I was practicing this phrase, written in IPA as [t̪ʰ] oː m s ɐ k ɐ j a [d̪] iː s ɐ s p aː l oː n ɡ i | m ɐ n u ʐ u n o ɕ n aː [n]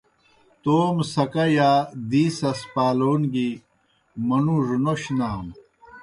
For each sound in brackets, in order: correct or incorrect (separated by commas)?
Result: incorrect, correct, incorrect